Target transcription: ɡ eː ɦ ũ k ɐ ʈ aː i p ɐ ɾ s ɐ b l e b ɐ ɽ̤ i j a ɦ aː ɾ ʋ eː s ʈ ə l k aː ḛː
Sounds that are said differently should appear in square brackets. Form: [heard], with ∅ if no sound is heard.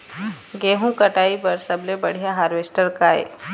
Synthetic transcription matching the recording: ɡ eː ɦ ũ k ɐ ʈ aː i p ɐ ɾ s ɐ b l e b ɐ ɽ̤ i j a ɦ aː ɾ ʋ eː s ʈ ə [ɾ] k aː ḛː